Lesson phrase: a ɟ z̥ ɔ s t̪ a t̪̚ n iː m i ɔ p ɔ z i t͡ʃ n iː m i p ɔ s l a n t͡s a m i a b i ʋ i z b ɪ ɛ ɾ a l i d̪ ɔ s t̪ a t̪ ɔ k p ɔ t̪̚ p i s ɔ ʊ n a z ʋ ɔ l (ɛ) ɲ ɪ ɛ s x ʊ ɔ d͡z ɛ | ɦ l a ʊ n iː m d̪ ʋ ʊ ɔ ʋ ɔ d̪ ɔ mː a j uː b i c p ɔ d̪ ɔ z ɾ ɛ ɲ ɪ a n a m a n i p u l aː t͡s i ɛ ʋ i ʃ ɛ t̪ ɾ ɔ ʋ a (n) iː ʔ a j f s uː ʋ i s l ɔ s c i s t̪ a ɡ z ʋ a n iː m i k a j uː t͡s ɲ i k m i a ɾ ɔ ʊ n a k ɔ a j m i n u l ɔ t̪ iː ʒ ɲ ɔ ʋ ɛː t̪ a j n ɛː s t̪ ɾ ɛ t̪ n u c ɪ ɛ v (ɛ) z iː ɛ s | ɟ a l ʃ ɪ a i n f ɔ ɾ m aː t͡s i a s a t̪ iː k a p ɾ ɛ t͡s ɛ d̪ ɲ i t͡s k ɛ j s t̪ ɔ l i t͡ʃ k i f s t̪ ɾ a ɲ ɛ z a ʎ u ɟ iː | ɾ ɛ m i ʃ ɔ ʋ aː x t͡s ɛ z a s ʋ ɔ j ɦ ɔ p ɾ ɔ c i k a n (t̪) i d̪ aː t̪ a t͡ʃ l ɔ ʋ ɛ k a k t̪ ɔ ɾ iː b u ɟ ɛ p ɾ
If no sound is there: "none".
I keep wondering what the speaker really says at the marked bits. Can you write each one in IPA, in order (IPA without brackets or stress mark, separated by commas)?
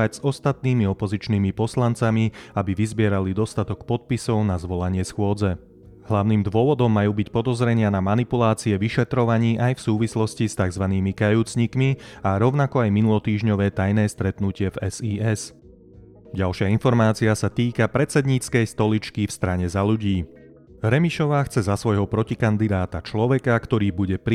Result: a, ɲ, ɛ, d̪